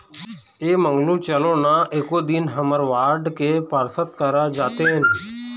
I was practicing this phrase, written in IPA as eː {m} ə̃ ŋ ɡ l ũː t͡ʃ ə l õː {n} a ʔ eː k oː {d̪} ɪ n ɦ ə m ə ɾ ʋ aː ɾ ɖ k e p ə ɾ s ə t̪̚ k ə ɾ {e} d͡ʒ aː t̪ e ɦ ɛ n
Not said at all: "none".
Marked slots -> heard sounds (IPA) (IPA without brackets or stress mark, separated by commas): m, n, d̪, a